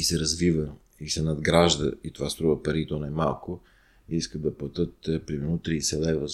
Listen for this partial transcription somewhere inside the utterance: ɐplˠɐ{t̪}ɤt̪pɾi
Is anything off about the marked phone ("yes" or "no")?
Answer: no